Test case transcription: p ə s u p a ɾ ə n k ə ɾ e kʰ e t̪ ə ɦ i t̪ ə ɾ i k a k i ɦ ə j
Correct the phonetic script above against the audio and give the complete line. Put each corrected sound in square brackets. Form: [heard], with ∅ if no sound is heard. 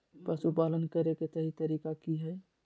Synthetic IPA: p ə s u p a [l] ə n k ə ɾ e [k] e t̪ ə ɦ i t̪ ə ɾ i k a k i ɦ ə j